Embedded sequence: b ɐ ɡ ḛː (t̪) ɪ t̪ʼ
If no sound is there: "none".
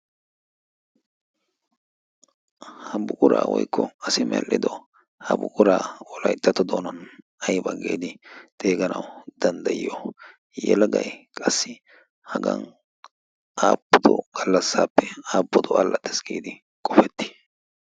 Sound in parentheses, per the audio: d̪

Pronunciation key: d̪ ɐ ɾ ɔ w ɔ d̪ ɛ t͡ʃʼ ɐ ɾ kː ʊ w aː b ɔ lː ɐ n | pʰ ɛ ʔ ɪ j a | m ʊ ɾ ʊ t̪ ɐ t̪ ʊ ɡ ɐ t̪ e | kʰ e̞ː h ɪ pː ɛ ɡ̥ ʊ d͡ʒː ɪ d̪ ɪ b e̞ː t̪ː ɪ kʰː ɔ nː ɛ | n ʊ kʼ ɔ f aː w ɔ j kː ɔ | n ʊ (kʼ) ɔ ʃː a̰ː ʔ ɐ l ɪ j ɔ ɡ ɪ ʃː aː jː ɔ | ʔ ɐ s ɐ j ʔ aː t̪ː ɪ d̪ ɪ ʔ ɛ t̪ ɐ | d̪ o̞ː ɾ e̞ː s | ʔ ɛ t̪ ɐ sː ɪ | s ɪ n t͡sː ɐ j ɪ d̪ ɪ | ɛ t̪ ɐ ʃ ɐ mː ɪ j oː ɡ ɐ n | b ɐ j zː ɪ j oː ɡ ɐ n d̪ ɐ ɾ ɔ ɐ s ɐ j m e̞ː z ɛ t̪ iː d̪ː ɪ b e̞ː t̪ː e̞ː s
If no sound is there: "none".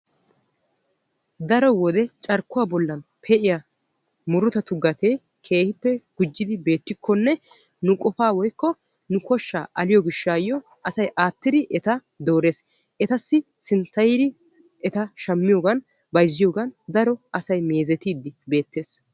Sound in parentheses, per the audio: k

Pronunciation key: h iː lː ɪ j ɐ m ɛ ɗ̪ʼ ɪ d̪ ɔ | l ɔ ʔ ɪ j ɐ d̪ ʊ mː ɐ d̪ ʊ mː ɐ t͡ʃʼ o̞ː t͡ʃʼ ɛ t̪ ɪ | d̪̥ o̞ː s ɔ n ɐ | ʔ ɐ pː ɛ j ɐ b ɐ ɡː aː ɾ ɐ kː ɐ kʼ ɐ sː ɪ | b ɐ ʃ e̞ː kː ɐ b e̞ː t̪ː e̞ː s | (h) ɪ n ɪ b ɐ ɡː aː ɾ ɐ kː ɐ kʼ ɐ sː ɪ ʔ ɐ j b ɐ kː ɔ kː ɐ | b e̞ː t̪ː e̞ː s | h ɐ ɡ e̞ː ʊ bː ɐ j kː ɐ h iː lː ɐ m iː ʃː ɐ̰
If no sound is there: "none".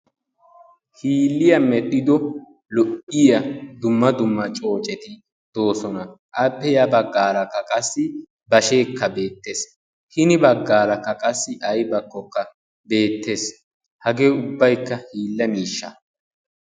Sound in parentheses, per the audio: h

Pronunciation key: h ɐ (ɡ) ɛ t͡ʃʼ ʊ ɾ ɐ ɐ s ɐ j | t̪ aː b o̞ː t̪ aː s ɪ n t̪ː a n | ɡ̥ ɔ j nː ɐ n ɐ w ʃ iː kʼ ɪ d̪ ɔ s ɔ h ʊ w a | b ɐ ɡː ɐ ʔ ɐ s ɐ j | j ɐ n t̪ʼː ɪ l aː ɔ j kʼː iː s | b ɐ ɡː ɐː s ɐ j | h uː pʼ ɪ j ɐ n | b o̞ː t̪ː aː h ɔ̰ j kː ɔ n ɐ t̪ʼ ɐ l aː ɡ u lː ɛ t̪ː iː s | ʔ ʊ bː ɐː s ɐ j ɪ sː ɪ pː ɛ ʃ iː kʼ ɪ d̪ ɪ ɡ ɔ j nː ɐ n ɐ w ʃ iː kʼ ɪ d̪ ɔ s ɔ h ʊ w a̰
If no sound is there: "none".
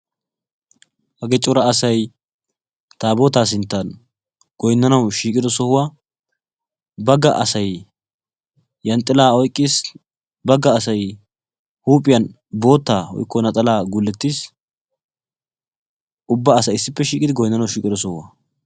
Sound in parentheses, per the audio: ɡ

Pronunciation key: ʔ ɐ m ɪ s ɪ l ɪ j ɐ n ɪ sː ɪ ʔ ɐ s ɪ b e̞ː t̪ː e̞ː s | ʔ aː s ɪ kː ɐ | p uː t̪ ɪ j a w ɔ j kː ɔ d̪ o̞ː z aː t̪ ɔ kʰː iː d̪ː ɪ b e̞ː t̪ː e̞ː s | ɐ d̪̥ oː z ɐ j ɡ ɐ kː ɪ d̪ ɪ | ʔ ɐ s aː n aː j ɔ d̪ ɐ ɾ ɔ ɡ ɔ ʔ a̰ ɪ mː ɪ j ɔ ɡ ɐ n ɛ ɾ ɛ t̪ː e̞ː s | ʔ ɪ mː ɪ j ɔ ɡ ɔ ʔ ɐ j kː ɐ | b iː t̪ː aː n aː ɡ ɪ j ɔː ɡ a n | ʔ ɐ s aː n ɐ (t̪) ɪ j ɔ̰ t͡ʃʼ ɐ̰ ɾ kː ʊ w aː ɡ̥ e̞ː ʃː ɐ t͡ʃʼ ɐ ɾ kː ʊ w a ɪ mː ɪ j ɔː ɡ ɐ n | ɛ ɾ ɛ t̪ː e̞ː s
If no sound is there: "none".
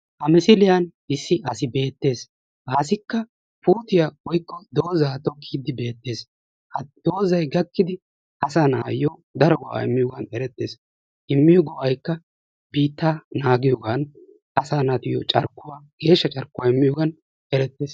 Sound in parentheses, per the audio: t̪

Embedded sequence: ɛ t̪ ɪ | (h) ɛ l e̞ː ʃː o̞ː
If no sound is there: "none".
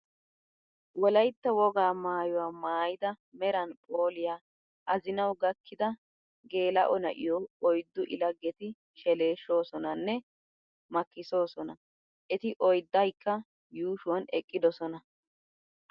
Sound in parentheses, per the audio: ʃ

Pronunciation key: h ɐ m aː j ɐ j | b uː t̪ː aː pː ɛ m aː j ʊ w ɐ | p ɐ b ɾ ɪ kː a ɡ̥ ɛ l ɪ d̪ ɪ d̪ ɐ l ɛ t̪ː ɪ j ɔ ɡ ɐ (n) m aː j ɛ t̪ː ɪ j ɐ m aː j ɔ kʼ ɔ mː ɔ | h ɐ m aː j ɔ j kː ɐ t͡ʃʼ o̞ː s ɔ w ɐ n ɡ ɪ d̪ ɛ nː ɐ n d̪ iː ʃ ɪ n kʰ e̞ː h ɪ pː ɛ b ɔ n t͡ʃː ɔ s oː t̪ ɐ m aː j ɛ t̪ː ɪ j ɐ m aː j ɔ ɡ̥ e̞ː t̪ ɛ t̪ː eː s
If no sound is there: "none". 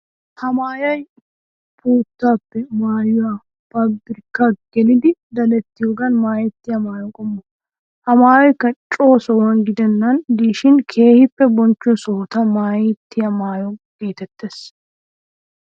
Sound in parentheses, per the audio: n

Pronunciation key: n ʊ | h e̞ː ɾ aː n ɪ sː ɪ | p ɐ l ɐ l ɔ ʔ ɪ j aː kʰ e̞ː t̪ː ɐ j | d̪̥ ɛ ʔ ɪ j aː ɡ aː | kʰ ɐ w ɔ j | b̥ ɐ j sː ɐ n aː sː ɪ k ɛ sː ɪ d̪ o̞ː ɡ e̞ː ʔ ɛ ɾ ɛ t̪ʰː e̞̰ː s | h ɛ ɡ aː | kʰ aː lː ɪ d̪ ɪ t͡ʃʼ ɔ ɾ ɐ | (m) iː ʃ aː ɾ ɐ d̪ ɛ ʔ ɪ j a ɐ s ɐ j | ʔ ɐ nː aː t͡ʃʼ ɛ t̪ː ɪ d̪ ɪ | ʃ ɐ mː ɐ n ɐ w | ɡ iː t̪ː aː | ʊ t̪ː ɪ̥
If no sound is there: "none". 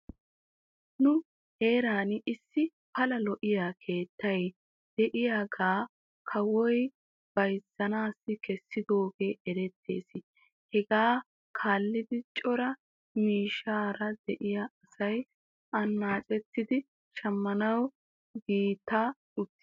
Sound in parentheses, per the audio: m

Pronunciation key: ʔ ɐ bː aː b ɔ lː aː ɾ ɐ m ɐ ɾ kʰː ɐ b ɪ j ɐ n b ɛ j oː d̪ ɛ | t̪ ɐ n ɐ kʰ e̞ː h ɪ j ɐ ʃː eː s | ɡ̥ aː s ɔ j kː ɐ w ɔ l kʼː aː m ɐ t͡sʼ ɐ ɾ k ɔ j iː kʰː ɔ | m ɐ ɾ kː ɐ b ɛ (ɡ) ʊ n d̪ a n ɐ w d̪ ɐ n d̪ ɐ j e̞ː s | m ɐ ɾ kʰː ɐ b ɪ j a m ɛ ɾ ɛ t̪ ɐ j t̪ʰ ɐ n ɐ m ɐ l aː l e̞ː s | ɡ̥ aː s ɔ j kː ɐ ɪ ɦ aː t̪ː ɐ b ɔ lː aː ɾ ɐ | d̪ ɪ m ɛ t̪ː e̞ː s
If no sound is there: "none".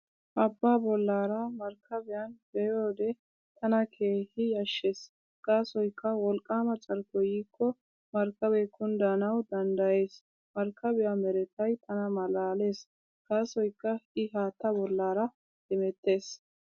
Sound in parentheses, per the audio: k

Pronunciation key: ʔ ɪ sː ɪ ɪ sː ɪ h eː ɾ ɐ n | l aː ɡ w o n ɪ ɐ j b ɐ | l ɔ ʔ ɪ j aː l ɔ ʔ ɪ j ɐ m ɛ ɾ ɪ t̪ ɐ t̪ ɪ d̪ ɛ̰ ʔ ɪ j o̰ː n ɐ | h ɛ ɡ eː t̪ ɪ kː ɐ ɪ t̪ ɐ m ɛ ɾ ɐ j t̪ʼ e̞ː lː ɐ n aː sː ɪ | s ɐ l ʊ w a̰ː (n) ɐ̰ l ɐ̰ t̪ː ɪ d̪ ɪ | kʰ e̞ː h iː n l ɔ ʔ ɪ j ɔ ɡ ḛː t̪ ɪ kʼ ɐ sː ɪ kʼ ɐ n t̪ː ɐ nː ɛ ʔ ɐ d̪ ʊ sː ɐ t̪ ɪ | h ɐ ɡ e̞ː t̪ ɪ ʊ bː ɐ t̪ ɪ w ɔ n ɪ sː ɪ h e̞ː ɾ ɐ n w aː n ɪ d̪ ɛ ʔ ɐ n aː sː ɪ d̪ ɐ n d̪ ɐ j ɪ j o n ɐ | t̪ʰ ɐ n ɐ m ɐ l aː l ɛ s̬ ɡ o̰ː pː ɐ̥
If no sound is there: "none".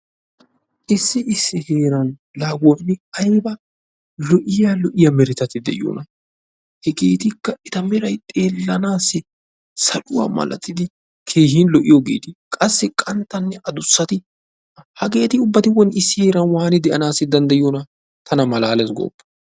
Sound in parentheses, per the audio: m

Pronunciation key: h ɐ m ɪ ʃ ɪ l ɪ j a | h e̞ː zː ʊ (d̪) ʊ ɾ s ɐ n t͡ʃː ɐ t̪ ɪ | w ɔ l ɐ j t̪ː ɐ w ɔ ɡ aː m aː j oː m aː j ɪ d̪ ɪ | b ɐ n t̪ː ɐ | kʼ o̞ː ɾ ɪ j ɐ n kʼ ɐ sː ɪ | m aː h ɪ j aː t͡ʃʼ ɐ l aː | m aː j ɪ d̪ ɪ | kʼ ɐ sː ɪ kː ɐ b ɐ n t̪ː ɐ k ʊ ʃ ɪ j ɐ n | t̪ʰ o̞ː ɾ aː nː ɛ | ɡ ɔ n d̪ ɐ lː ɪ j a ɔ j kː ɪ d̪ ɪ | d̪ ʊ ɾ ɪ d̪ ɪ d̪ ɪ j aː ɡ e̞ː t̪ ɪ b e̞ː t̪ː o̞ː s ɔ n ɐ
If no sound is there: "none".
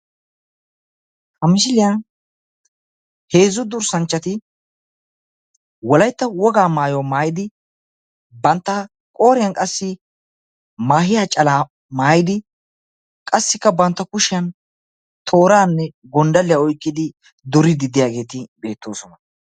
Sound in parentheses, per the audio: d̪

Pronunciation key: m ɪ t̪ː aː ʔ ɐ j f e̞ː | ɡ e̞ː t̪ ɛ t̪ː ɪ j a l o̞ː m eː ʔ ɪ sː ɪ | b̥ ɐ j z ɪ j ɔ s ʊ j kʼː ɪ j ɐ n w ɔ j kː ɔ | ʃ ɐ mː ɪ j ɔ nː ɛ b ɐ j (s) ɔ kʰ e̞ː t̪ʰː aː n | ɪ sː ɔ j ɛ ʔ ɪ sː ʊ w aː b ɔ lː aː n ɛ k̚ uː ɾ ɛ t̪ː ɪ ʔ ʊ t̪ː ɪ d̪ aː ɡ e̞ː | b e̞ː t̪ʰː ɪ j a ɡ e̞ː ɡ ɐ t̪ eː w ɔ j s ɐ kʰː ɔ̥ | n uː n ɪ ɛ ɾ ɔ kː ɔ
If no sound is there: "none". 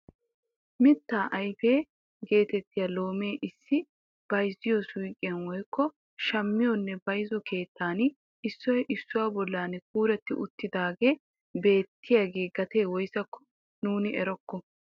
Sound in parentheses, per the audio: z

